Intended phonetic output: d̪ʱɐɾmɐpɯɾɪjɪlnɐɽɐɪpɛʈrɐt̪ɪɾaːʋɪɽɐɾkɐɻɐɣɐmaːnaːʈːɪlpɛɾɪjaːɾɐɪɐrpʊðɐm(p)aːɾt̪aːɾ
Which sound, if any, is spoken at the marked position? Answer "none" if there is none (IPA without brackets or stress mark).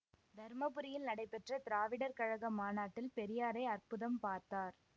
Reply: p